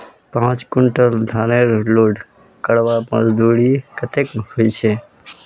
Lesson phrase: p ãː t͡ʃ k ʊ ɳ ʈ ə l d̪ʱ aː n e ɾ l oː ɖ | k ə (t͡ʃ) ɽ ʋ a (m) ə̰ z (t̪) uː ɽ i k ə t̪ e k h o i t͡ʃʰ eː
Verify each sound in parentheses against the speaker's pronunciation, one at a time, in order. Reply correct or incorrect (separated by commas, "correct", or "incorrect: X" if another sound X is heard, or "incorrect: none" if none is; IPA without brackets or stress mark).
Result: incorrect: none, correct, incorrect: d̪